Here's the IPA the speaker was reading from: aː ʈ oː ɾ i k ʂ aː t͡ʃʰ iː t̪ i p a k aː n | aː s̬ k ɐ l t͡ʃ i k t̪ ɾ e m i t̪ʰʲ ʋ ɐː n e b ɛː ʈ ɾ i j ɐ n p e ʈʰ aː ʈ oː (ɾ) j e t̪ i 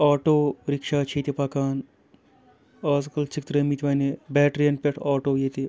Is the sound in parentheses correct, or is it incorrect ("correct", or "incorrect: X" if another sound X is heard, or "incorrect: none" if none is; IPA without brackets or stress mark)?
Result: incorrect: none